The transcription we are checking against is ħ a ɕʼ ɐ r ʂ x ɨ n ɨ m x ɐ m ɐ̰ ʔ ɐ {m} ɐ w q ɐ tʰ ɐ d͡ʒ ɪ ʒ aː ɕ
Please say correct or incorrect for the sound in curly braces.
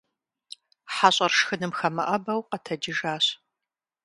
incorrect